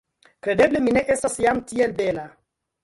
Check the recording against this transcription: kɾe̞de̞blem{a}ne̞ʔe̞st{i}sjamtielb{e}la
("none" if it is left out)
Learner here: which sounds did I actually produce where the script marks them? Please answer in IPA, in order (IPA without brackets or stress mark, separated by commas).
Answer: i, a, e